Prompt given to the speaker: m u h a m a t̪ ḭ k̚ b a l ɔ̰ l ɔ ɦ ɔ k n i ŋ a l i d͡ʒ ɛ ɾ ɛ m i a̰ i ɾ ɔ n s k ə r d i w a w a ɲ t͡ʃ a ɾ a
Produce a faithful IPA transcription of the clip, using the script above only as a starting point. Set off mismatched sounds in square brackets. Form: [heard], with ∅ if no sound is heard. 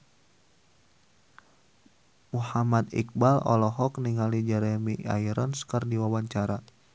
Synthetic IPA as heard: m u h a m a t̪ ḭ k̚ b a l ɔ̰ l ɔ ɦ ɔ k n i ŋ a l i d͡ʒ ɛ ɾ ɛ m i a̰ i ɾ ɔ n s k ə r d i w a w a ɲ t͡ʃ a ɾ a